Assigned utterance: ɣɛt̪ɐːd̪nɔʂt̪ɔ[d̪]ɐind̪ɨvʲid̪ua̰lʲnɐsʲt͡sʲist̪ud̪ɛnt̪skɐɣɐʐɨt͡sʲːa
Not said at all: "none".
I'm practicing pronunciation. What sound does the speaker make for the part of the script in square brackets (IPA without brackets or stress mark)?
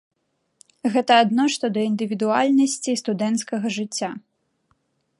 d̪